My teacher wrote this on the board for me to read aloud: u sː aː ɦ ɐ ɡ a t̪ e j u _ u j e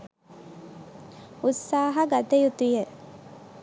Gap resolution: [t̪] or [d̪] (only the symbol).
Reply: t̪